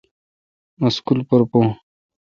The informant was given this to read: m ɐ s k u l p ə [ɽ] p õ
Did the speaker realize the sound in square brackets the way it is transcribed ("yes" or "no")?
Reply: no